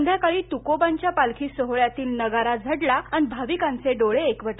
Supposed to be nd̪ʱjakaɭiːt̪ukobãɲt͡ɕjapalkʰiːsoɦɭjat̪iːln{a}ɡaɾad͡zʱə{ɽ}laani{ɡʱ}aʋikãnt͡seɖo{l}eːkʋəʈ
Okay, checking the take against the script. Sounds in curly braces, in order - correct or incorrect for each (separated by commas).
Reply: incorrect, correct, incorrect, incorrect